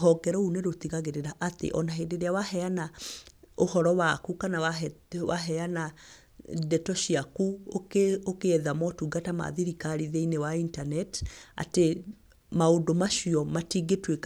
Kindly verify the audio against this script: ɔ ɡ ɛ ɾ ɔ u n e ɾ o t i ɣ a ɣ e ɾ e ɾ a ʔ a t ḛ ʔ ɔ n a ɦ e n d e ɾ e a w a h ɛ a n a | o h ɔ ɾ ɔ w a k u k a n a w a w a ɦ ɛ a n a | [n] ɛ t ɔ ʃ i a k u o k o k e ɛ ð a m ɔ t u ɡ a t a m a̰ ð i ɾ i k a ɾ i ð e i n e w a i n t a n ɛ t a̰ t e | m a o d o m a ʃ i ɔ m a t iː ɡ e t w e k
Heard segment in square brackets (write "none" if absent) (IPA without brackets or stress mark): d